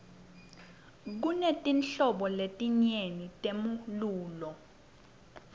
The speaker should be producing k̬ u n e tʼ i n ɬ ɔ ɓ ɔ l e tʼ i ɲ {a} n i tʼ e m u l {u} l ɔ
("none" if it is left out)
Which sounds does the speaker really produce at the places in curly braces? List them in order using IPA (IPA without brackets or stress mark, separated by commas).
e, uː